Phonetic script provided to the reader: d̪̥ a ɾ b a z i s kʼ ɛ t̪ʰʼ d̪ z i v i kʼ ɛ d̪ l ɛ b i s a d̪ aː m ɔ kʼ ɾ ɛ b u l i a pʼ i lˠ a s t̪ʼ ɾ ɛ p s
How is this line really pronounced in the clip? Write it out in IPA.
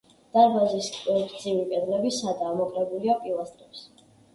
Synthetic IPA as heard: d̪̥ a ɾ b a z i s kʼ ɛ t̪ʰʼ d̪ z i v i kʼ ɛ d̪ l ɛ b i s a d̪ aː m ɔ kʼ ɾ ɛ b u l i a pʼ i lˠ a s t̪ʼ ɾ ɛ p s